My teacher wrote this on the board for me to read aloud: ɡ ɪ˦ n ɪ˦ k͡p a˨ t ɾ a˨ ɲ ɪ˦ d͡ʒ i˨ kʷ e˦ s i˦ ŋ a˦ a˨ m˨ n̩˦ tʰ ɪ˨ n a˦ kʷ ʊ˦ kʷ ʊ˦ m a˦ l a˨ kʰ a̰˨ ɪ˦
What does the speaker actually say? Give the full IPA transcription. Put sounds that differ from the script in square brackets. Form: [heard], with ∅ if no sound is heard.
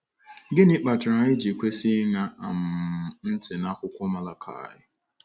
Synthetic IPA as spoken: ɡ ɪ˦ n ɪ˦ k͡p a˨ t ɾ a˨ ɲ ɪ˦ d͡ʒ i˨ kʷ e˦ s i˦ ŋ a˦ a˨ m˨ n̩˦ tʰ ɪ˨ n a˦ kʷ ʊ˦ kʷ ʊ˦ m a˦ l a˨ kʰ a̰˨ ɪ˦